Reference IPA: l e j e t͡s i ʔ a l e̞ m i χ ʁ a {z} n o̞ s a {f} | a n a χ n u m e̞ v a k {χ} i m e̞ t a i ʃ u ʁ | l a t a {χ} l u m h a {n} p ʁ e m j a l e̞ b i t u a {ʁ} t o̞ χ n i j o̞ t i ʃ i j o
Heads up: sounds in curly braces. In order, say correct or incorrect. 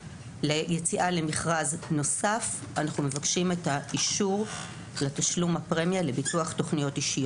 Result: correct, correct, incorrect, incorrect, incorrect, incorrect

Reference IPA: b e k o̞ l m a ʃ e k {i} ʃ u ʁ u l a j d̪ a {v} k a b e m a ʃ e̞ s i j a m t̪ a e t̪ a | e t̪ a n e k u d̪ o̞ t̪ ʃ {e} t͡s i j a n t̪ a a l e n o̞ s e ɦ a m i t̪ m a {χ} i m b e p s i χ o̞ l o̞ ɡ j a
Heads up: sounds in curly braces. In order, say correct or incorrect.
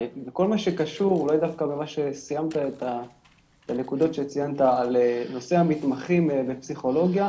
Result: incorrect, incorrect, correct, correct

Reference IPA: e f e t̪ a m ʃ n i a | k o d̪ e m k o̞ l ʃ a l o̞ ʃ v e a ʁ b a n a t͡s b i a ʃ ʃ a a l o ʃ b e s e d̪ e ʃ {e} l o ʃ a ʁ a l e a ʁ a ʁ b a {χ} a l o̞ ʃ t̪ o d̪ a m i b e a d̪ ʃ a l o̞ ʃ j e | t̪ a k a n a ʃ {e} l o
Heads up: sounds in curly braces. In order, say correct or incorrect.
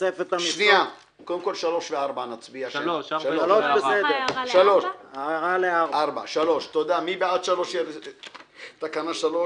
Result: incorrect, incorrect, incorrect

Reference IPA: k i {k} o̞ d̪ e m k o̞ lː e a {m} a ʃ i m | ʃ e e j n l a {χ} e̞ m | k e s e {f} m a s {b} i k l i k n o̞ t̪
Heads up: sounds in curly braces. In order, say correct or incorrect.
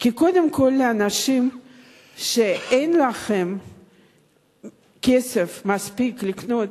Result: correct, incorrect, correct, correct, incorrect

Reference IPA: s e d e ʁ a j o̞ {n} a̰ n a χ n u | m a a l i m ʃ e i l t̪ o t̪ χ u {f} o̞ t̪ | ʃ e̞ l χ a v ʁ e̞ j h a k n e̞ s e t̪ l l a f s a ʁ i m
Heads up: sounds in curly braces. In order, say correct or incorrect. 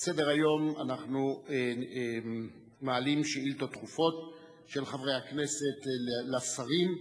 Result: incorrect, correct

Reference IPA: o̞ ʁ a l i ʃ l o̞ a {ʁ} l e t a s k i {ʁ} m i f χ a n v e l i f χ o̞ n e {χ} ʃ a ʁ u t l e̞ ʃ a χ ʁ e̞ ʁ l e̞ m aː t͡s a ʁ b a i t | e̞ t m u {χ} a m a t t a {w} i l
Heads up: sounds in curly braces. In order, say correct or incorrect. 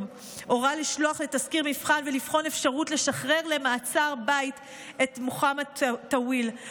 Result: incorrect, correct, incorrect, correct, correct

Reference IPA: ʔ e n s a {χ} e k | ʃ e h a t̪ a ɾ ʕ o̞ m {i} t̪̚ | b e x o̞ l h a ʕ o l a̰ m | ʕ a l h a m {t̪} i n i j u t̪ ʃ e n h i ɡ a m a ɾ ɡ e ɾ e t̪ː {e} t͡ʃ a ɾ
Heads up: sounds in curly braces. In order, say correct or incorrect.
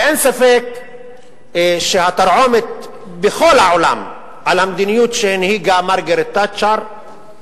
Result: incorrect, incorrect, incorrect, incorrect

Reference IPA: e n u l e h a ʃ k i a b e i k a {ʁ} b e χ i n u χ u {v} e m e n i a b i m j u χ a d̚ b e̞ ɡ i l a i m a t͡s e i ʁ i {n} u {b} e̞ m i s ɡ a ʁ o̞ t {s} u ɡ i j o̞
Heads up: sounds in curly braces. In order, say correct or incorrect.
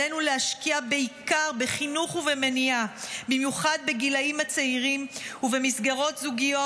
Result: correct, correct, incorrect, incorrect, incorrect

